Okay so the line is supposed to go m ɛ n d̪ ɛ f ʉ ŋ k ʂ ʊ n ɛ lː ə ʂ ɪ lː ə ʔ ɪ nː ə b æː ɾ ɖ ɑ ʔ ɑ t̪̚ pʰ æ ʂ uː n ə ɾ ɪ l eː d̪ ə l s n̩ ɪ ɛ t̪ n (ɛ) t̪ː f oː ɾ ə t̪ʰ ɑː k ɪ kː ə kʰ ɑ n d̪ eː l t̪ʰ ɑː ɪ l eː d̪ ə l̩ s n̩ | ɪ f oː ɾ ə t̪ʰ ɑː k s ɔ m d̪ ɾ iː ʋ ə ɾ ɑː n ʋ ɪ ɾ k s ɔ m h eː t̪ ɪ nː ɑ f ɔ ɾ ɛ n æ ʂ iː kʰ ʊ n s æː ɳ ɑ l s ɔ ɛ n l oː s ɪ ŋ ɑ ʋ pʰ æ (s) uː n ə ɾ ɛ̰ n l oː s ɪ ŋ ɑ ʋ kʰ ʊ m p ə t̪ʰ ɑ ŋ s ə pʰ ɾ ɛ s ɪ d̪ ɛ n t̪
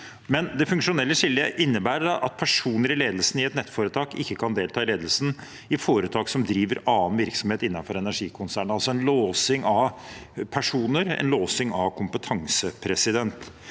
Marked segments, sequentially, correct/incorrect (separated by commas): correct, incorrect